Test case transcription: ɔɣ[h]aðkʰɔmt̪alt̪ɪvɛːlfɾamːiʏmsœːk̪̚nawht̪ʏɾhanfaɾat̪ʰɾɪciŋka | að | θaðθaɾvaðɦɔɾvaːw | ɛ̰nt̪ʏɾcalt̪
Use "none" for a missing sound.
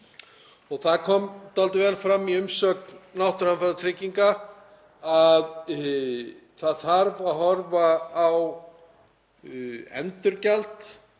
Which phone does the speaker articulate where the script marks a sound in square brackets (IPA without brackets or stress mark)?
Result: θ